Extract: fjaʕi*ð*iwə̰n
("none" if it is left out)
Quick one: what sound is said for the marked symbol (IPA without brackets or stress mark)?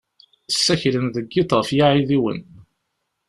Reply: ð